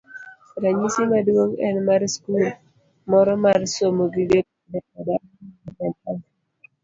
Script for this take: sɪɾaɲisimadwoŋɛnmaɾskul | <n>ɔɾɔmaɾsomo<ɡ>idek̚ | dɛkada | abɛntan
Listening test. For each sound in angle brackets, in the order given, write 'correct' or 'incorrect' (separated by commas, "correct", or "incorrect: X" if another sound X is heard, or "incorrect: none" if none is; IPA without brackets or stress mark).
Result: incorrect: m, correct